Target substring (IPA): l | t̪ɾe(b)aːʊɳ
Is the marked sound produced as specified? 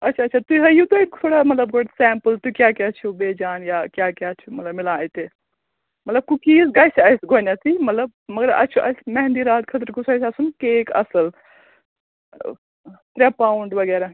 no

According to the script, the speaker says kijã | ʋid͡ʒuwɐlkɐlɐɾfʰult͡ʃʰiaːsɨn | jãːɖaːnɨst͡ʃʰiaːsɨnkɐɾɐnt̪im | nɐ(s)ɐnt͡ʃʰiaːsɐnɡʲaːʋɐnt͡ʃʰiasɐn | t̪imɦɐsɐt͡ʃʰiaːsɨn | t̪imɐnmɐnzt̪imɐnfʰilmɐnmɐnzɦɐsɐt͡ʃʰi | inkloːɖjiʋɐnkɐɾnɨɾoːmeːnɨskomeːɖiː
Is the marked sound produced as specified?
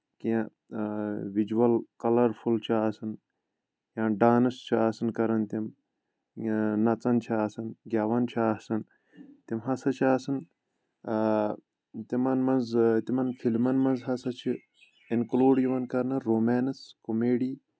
no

